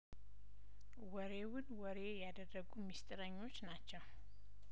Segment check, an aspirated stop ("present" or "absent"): absent